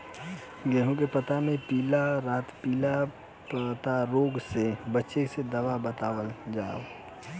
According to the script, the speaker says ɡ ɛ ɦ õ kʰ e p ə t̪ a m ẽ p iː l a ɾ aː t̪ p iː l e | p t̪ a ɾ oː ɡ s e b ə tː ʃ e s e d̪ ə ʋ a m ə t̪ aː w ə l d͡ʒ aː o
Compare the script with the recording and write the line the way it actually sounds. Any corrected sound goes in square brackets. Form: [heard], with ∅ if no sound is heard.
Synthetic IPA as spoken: ɡ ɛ ɦ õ [k] e p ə t̪ a m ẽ p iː l a ɾ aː t̪ p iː l [a] | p t̪ a ɾ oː ɡ s e b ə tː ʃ e s e d̪ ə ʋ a [b] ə t̪ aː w ə l d͡ʒ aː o